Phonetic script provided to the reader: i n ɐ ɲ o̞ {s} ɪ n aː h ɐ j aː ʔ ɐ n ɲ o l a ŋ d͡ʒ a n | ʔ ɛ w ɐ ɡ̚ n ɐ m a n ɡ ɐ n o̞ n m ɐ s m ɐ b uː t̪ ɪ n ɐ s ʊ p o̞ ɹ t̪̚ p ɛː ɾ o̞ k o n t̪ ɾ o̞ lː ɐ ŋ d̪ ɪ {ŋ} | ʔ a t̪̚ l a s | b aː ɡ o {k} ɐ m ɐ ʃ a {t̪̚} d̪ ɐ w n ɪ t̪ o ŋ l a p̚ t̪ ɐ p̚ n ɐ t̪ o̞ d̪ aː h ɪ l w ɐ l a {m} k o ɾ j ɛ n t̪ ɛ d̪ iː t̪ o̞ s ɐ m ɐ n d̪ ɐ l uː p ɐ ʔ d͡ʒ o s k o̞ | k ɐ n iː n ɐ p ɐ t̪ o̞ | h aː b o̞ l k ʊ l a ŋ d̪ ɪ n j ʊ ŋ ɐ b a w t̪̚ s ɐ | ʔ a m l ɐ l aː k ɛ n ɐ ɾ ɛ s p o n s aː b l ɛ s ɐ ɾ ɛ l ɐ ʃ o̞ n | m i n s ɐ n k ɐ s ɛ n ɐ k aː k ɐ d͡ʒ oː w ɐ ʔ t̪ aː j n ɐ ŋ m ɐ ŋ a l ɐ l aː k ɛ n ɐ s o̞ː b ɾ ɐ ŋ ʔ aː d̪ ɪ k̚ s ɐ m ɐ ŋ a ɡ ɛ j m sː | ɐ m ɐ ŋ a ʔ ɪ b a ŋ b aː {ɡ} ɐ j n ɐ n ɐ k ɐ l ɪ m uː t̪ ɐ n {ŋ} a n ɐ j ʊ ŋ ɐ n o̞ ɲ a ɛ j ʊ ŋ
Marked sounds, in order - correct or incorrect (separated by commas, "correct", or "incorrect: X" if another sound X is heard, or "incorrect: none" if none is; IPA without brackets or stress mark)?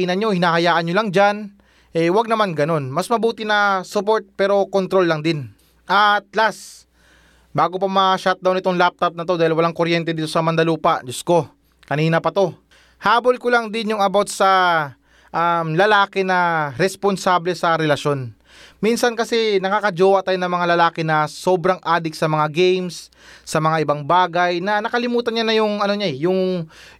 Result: incorrect: h, incorrect: n, incorrect: p, correct, incorrect: ŋ, correct, incorrect: ɲ